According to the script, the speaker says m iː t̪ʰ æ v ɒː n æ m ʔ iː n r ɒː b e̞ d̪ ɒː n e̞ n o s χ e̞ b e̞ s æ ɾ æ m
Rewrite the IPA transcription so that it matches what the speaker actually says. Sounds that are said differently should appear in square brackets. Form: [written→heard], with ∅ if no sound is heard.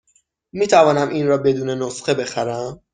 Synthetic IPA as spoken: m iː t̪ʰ æ v ɒː n æ m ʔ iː n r ɒː b e̞ d̪ [ɒː→uː] n e̞ n o s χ e̞ b e̞ [s→x] æ ɾ æ m